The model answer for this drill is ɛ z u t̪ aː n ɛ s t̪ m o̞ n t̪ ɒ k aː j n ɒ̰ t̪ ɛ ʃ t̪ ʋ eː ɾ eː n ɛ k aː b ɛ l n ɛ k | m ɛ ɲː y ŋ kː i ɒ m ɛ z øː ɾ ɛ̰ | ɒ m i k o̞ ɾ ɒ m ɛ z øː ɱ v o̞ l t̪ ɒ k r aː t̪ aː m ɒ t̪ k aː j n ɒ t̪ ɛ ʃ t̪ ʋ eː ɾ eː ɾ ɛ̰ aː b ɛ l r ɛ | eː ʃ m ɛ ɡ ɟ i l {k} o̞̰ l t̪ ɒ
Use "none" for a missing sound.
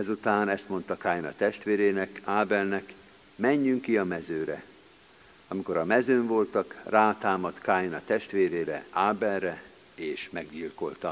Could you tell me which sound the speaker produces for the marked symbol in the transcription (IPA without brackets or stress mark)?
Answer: k